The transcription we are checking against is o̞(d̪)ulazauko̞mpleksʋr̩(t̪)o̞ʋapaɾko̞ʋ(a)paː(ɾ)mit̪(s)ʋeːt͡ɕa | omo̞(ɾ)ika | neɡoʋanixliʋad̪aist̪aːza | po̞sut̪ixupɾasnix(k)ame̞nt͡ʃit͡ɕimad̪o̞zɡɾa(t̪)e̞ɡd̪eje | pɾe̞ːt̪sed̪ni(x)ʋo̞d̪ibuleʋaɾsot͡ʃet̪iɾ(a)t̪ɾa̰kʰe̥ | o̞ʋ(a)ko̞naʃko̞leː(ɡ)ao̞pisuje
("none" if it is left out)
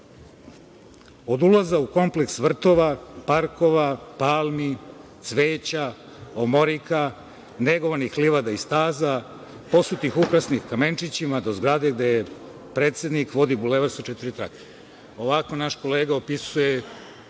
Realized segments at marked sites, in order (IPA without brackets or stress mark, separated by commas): d̪, t̪, a, l, s, ɾ, k, d̪, k, i, a, ɡ